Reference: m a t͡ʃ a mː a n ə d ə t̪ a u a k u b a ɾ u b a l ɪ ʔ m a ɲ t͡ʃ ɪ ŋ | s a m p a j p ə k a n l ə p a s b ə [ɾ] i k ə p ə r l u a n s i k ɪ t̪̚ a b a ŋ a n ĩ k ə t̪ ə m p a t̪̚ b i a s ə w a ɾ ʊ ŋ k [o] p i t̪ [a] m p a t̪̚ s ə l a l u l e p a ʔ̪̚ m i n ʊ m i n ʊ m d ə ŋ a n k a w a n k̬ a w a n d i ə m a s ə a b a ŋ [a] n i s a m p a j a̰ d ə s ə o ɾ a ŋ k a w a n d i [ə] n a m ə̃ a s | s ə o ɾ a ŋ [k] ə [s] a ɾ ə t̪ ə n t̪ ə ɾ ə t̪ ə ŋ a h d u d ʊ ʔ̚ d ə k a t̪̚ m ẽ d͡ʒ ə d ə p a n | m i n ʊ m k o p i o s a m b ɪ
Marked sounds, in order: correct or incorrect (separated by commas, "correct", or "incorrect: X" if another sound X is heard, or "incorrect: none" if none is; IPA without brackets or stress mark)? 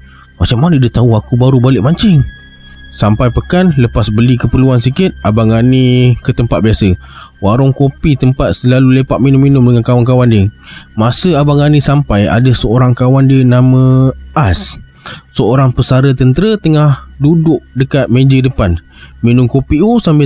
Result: incorrect: l, correct, incorrect: ə, correct, correct, incorrect: p, correct